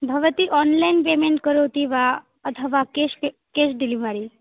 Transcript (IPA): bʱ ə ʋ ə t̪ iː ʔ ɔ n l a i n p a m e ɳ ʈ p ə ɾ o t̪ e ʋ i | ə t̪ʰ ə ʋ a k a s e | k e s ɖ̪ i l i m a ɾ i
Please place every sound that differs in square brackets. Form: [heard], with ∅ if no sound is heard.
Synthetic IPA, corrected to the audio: bʱ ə ʋ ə t̪ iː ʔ ɔ n l a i n p [e] m e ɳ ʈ [k] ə ɾ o t̪ [i] ʋ [a] | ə t̪ʰ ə ʋ a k [e] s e | k e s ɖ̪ i l i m a ɾ i